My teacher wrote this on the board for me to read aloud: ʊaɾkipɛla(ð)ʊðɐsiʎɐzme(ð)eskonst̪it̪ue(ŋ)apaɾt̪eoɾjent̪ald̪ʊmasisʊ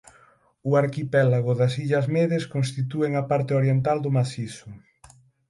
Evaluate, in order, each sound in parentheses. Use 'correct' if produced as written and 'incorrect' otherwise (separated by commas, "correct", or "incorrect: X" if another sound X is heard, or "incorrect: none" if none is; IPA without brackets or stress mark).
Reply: incorrect: ɣ, correct, correct